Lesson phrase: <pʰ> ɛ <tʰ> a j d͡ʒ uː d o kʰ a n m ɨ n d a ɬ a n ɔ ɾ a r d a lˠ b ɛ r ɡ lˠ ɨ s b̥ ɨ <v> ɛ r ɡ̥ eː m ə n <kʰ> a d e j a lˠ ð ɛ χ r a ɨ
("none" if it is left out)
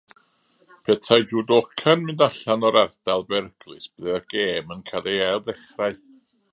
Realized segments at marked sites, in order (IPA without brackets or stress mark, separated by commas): pʰ, tʰ, ð, kʰ